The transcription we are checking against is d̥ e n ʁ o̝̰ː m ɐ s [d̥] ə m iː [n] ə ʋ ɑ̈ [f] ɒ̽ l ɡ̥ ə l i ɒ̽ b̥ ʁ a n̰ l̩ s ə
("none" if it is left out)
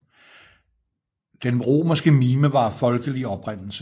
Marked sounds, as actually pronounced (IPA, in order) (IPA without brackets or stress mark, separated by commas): ɡ̥, m, f